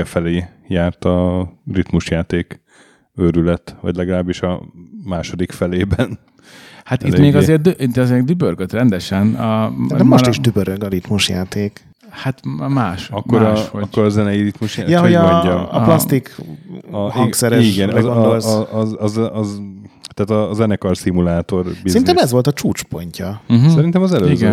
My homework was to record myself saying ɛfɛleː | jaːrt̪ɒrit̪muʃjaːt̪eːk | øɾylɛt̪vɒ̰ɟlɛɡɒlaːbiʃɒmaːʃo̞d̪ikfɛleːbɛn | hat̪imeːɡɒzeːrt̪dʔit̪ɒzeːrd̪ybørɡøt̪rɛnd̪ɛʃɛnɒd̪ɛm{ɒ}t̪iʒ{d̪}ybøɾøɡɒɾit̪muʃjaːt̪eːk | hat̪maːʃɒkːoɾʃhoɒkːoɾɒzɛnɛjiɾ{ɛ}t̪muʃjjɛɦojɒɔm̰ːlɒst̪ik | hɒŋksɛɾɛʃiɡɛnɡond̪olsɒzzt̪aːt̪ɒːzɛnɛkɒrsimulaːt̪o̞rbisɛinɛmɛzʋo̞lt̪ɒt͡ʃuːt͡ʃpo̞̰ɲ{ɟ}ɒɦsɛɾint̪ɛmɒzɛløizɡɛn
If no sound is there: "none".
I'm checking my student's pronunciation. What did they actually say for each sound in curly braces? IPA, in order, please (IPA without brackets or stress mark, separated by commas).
o, d̪, i, c